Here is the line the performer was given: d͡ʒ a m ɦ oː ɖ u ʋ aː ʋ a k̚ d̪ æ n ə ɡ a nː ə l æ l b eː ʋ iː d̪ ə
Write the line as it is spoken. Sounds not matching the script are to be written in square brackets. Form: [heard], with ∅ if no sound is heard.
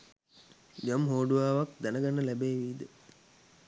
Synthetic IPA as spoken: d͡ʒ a m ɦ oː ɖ u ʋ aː ʋ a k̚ d̪ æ n ə ɡ a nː ə l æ [∅] b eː ʋ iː d̪ ə